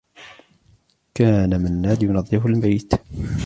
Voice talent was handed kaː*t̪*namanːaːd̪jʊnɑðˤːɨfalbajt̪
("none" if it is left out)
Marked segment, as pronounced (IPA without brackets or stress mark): none